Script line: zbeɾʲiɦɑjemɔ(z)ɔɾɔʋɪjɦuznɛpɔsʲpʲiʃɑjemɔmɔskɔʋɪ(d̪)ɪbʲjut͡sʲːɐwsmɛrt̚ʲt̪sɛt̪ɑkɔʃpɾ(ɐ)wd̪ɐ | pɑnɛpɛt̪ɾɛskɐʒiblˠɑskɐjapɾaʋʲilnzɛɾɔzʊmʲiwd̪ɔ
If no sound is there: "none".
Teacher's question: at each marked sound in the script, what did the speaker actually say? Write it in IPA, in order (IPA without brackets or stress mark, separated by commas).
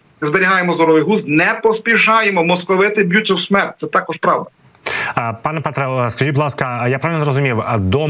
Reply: z, t̪, ɑ